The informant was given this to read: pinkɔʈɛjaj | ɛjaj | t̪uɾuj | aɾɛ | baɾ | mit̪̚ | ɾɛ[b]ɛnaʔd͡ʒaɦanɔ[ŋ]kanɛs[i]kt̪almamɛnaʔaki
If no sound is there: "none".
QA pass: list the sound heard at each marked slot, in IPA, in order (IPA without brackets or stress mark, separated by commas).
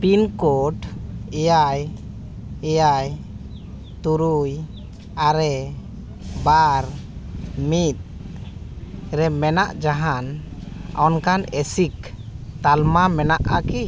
m, n, i